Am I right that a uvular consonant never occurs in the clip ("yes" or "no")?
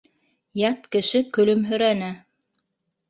yes